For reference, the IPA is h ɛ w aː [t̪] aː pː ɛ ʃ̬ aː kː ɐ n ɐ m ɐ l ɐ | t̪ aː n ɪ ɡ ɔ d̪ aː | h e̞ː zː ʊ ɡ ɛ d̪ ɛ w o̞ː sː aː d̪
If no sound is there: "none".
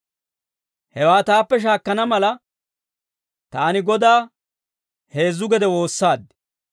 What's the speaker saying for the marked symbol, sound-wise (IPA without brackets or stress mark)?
t̪